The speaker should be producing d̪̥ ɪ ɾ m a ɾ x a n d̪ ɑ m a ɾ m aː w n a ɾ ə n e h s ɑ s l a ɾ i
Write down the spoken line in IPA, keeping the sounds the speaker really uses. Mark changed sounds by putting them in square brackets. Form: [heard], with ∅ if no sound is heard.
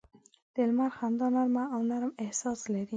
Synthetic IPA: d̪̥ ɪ [l] m a ɾ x a n d̪ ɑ [n] a ɾ m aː w n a ɾ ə [m] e h s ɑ s l a ɾ i